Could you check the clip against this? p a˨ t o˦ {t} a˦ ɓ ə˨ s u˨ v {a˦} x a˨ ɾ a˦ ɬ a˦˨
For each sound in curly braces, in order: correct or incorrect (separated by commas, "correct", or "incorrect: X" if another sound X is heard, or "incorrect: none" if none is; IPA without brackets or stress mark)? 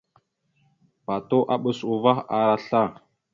incorrect: ʔ, correct